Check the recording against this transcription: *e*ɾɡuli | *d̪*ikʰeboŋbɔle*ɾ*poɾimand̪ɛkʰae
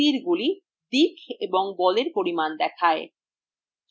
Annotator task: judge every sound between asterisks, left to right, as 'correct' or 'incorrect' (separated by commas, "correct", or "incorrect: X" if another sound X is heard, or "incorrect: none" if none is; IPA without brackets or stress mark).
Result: incorrect: i, correct, correct